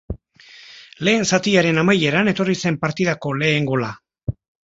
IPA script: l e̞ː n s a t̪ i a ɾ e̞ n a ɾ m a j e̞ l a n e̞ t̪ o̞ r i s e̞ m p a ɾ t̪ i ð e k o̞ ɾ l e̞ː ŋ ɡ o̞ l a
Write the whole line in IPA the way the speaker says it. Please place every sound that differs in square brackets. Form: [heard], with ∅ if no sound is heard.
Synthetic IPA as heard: l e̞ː n s a t̪ i a ɾ e̞ n a [∅] m a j e̞ [ɾ] a n e̞ t̪ o̞ r i s e̞ m p a ɾ t̪ i ð [a] k o̞ [∅] l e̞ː ŋ ɡ o̞ l a